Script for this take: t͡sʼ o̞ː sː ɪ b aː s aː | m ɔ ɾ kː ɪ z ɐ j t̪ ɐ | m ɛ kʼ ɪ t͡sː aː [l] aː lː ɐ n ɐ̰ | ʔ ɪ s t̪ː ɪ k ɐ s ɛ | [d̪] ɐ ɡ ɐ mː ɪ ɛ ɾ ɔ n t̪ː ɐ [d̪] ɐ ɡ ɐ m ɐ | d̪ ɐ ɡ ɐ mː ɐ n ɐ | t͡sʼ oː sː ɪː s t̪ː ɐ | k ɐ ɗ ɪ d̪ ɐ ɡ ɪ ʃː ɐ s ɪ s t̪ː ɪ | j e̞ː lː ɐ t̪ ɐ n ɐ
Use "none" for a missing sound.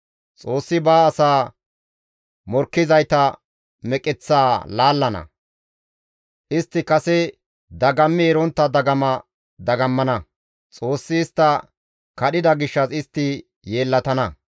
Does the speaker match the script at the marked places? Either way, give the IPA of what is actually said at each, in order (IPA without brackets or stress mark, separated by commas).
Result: l, d̪, d̪